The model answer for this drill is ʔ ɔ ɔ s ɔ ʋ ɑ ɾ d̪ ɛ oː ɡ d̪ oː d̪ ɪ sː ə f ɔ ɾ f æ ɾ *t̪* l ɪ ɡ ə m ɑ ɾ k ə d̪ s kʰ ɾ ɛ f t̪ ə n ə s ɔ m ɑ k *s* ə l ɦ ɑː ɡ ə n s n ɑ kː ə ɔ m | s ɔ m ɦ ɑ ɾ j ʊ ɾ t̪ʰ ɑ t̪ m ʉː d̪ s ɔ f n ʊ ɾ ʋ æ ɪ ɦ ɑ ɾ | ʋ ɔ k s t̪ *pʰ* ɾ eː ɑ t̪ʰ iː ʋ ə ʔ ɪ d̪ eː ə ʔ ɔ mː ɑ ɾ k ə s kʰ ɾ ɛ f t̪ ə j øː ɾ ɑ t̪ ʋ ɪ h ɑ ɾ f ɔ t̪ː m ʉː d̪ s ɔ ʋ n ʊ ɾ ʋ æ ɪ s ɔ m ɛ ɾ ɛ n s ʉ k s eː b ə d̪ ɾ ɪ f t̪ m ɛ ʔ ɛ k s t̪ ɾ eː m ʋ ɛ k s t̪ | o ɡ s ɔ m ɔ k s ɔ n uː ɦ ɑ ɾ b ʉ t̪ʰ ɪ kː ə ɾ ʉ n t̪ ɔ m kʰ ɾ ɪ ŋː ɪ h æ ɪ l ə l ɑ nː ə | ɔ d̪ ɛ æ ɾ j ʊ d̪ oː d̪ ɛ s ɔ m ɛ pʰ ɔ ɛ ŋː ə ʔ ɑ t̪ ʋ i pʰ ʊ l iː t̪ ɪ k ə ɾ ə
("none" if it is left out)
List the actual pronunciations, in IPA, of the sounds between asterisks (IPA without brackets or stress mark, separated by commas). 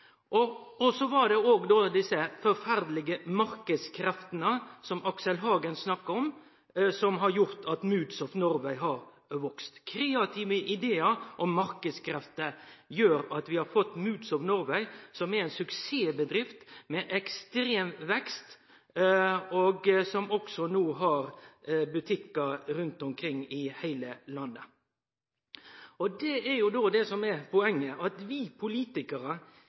d̪, s, kʰ